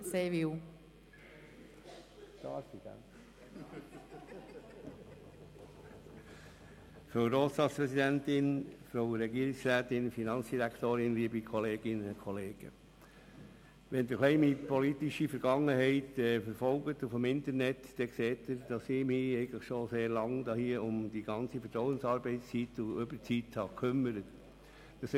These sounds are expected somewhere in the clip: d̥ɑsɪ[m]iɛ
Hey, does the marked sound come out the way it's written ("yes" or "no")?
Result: yes